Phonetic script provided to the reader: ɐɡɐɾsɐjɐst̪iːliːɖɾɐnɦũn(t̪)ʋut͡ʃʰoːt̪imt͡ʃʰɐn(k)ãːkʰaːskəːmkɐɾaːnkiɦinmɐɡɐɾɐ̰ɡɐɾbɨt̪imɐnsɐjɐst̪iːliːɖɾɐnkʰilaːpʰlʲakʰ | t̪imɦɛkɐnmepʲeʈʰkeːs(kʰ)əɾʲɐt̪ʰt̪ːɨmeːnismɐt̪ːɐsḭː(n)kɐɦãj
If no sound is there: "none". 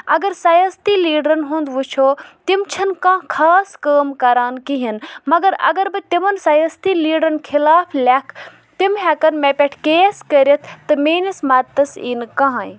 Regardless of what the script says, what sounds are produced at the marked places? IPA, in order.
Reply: d̪, k, k, n

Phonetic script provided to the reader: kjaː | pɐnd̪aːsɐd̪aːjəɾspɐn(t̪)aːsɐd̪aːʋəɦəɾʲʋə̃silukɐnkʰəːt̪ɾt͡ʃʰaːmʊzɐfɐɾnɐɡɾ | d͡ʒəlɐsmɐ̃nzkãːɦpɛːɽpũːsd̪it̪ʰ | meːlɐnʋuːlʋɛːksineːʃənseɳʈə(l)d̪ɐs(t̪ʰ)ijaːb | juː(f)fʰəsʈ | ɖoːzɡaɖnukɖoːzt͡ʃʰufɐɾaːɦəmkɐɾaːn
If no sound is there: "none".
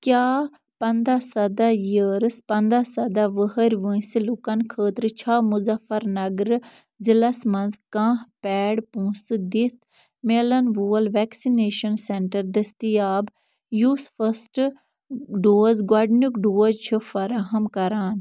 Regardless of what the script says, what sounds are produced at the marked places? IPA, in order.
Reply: d̪, ɾ, t̪, s

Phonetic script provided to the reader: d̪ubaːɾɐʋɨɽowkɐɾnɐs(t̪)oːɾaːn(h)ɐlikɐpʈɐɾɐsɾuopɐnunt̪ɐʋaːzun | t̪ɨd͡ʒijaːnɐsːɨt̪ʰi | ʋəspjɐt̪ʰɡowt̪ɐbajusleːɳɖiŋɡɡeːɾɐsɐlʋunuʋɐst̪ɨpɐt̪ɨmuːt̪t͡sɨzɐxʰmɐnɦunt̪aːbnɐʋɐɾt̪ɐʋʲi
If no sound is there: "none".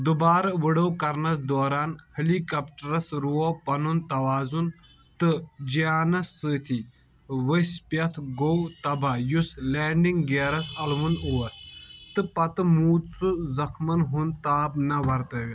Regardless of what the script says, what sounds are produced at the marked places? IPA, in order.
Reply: d̪, h

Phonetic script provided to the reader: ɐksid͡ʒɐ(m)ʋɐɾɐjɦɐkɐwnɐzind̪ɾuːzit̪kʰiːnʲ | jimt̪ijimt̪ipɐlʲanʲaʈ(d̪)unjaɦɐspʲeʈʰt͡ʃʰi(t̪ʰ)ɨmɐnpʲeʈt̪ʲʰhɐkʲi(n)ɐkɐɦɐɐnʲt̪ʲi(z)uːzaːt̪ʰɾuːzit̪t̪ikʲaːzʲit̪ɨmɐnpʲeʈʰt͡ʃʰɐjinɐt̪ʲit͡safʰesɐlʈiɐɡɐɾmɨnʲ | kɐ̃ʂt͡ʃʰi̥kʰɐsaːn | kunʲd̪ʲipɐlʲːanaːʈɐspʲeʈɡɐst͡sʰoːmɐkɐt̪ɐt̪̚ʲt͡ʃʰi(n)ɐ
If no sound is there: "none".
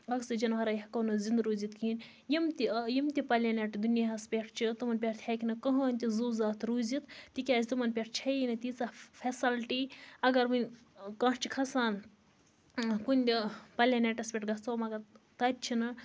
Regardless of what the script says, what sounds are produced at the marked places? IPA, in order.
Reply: n, d̪, t̪, n, z, n

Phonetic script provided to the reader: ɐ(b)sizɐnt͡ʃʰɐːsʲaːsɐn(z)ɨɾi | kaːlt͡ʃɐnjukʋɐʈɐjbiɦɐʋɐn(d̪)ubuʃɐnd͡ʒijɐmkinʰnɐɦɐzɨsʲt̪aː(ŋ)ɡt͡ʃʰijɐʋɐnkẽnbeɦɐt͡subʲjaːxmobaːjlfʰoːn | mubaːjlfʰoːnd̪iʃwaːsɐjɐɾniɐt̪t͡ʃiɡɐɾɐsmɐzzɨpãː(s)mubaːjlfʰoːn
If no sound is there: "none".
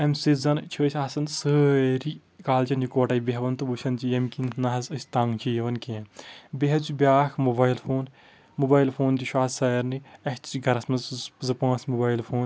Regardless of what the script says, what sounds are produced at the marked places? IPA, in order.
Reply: m, s, t̪, ŋ, s

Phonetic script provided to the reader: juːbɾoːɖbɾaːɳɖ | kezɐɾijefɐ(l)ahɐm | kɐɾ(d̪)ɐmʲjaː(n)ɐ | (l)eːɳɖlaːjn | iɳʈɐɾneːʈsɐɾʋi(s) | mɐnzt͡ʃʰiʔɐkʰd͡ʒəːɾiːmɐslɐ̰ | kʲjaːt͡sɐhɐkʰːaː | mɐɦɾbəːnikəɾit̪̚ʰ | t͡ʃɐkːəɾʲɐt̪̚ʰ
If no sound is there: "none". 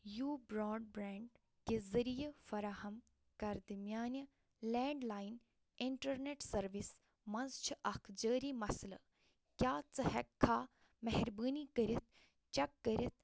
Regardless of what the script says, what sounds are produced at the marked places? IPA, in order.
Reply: ɾ, d̪, n, l, s

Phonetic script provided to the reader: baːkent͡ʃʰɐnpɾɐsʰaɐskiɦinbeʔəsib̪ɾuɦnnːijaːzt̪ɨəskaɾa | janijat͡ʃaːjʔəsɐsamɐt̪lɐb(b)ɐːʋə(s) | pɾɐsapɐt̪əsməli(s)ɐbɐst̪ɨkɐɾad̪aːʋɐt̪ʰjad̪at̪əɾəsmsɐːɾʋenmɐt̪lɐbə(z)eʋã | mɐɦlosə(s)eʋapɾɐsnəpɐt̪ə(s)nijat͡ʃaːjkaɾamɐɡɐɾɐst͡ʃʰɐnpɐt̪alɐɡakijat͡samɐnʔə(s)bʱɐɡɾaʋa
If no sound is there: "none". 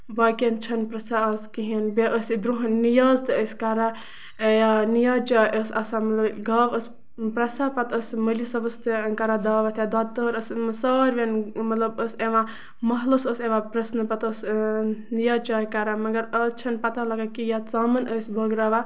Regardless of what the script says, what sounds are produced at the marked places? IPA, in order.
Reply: ɡ, s, s, s, s, s, s

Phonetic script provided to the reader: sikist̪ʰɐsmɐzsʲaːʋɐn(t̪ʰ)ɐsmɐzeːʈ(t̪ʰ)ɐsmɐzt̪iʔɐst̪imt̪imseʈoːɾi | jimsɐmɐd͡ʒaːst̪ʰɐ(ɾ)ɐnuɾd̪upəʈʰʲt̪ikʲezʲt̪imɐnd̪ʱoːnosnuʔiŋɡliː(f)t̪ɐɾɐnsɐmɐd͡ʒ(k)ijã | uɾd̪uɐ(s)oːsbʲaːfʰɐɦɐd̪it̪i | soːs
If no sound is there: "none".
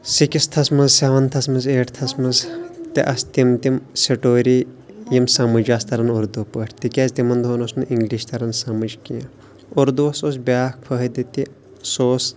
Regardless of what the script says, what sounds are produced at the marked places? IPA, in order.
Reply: t̪ʰ, t̪ʰ, ɾ, ʃ, k, s

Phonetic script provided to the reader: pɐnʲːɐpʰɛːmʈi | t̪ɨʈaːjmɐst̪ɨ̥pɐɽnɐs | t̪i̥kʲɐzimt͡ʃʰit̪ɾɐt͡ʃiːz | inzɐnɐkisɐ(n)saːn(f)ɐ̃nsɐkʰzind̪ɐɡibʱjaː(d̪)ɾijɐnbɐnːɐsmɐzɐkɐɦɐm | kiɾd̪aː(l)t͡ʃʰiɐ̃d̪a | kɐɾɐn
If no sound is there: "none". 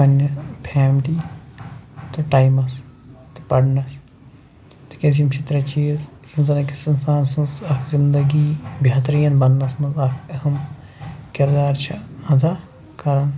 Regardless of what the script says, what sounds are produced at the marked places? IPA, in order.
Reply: n, s, t̪, ɾ

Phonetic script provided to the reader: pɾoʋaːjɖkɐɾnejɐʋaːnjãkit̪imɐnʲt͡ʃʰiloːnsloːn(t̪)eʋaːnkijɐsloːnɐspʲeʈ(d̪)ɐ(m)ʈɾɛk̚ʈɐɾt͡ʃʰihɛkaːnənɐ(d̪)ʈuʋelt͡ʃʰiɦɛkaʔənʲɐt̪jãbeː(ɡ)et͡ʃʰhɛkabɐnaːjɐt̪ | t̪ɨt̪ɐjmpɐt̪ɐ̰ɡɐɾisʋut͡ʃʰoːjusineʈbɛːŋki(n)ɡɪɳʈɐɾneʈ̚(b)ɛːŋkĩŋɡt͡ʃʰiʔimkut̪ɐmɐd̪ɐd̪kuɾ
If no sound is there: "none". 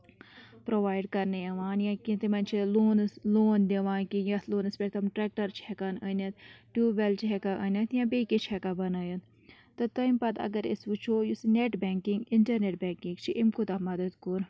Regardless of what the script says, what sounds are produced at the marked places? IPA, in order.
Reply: d̪, t̪, m, t̪, k, ŋ, b

